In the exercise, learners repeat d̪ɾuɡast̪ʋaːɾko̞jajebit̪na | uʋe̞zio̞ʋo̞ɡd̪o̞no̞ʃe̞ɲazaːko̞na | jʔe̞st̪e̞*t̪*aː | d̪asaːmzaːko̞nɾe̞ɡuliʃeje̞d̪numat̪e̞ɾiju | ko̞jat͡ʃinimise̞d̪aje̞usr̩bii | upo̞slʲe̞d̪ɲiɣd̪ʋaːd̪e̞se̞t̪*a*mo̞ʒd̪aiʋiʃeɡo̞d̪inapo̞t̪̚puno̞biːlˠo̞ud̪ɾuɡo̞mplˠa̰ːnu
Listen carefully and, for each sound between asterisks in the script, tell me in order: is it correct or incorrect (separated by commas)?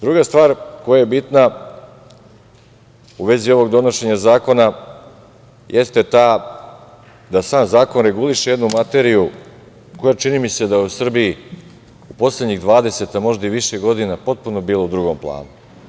correct, correct